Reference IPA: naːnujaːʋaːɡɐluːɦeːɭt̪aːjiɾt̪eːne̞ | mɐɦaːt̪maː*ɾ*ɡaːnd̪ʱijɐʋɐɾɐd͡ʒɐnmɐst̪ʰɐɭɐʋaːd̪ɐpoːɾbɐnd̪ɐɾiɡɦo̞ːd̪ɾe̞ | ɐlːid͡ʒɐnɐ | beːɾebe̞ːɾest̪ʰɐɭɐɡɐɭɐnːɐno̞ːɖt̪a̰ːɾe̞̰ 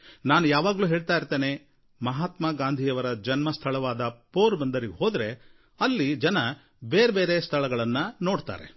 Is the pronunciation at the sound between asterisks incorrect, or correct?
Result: incorrect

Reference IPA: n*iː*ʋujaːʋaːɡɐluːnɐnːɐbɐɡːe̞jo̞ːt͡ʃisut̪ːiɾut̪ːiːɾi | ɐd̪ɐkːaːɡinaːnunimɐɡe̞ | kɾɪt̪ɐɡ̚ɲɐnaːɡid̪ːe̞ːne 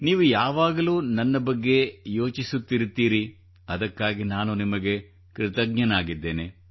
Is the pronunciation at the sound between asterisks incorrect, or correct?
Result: correct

